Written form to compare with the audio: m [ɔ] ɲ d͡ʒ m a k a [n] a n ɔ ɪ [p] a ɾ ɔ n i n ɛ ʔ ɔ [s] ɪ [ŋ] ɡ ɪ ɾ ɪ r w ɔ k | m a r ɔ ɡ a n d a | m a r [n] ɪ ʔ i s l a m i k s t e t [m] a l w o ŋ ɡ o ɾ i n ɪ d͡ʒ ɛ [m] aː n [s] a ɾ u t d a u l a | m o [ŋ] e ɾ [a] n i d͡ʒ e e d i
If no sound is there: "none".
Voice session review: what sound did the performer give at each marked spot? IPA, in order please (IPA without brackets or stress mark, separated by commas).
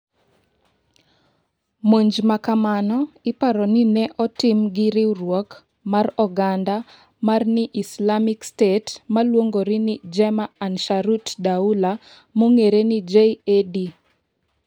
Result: o, m, p, t, m, n, m, m, ʃ, ŋ, e